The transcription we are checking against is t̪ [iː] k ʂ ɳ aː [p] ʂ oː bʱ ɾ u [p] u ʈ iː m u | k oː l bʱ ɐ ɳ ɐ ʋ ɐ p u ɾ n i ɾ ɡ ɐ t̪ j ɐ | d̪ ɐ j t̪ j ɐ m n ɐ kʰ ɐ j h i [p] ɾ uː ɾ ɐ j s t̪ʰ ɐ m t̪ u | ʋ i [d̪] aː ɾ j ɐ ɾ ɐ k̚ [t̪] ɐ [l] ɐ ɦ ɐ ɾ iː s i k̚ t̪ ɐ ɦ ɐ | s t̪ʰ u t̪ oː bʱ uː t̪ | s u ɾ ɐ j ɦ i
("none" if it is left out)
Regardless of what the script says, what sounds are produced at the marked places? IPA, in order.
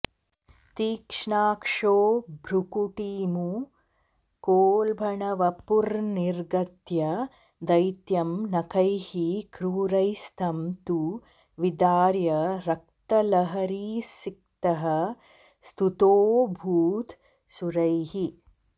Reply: iː, k, k, k, d̪, t̪, l

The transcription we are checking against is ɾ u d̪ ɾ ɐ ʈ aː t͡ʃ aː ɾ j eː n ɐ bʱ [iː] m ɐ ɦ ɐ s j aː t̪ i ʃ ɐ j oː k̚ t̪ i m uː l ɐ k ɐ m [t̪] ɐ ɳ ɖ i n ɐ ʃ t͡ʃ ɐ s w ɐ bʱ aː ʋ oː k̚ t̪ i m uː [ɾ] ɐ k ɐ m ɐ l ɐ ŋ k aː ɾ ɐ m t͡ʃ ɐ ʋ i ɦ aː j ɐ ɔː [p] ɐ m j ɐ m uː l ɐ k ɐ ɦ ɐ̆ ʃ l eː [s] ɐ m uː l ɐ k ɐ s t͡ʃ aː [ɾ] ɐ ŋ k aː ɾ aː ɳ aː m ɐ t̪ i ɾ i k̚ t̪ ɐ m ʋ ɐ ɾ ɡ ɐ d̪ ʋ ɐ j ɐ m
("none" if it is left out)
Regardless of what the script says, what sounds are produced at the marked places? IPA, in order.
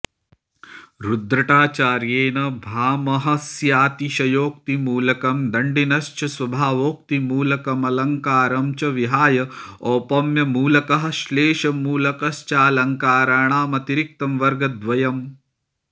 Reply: aː, d̪, l, p, ʃ, l

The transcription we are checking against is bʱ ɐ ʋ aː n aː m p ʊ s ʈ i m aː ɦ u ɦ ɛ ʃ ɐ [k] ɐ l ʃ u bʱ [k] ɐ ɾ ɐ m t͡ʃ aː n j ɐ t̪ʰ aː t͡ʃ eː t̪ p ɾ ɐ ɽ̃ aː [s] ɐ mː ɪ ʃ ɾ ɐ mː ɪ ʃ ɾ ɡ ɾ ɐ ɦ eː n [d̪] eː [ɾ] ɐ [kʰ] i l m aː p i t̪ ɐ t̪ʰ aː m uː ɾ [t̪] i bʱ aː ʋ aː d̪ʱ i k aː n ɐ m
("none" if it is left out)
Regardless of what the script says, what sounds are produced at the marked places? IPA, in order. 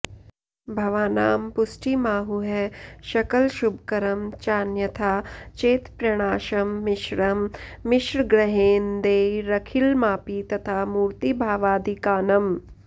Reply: k, k, ʃ, d̪, ɾ, kʰ, t̪

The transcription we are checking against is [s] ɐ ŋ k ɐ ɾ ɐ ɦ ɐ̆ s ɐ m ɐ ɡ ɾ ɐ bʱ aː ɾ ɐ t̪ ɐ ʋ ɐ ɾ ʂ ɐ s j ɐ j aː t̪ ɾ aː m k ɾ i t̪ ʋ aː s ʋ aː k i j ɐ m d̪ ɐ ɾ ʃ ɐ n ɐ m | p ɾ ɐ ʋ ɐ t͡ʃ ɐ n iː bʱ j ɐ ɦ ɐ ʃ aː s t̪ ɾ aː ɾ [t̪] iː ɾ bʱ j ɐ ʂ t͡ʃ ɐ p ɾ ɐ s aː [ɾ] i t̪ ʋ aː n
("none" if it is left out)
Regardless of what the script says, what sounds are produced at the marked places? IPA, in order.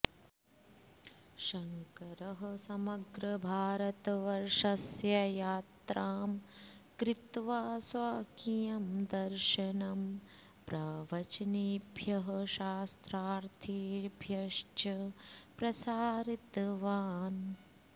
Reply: ʃ, t̪ʰ, ɾ

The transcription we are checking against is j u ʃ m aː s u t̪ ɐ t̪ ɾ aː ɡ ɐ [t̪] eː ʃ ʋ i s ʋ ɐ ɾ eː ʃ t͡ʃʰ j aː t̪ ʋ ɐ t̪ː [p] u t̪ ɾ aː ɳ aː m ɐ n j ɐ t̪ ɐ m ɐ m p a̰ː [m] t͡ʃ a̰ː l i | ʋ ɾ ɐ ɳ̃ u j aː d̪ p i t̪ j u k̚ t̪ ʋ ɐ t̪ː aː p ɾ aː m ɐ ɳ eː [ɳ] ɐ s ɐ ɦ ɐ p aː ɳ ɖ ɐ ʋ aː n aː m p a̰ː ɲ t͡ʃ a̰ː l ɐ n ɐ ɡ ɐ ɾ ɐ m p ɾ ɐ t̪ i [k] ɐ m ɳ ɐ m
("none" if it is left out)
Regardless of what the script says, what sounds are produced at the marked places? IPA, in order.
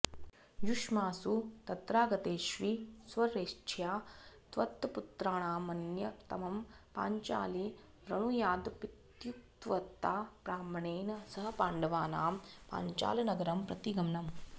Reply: t̪, p, ɲ, n, ɡ

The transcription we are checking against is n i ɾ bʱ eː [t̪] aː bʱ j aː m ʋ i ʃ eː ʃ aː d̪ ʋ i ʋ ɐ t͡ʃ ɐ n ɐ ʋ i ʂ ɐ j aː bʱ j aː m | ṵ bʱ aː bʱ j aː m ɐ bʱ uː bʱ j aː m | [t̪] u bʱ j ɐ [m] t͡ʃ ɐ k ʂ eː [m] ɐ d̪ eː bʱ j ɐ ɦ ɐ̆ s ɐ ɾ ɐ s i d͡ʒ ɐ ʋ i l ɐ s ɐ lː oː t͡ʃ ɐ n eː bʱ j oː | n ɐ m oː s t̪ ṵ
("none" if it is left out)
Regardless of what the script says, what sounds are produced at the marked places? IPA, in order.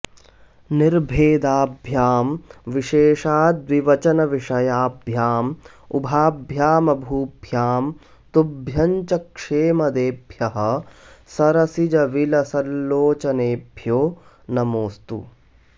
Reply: d̪, t̪, ɲ, m

